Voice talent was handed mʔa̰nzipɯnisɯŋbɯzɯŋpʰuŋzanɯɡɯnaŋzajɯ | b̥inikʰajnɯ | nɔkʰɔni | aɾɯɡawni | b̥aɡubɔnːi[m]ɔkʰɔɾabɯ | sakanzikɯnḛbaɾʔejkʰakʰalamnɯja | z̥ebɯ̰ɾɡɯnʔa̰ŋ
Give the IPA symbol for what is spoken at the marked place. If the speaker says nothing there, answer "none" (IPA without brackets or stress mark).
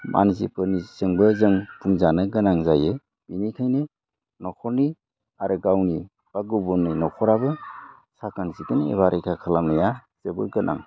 n